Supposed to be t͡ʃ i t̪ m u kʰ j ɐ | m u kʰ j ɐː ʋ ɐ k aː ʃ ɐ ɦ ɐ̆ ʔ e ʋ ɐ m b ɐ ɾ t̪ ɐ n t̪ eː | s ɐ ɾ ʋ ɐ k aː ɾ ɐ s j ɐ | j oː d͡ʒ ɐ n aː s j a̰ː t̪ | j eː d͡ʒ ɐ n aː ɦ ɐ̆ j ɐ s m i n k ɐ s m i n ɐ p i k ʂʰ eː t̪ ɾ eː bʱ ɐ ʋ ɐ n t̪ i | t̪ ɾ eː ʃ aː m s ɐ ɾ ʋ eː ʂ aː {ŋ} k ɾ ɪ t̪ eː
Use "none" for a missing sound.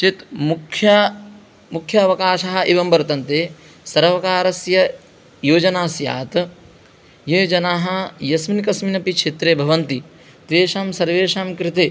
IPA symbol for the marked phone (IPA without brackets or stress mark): m